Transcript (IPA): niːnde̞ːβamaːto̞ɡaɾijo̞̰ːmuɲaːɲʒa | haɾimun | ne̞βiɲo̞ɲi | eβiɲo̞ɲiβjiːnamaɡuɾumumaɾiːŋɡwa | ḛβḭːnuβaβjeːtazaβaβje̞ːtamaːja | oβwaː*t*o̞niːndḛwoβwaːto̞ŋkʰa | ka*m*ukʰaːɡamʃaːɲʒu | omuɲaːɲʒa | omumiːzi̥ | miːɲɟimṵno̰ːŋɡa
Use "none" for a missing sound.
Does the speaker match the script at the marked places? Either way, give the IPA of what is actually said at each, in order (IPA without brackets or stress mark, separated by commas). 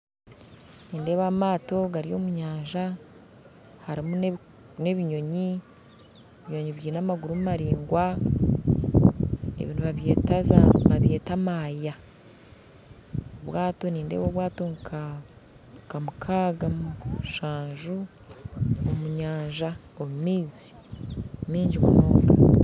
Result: t, m